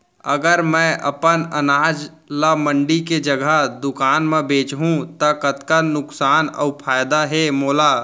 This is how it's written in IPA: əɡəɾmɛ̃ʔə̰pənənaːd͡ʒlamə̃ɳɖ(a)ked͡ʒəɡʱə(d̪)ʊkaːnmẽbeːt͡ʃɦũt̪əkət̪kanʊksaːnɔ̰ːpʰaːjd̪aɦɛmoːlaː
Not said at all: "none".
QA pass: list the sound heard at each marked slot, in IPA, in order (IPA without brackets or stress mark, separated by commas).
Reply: i, d̪